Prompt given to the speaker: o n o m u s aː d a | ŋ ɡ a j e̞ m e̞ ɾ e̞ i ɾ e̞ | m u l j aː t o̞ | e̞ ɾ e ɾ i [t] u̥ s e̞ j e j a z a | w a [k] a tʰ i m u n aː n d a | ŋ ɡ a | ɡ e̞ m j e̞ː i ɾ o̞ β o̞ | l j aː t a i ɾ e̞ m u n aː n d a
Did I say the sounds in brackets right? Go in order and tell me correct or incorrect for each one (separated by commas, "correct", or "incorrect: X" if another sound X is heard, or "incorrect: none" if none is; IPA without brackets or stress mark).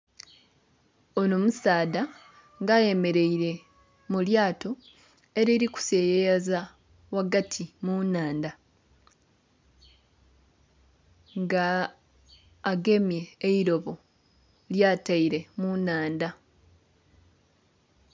incorrect: k, incorrect: ɡ